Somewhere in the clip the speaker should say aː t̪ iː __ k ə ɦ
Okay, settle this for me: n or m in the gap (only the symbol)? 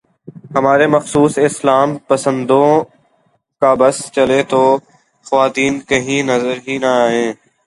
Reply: n